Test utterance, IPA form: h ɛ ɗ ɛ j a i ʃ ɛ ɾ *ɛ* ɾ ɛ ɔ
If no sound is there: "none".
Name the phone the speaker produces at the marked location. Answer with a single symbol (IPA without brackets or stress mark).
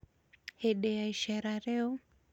a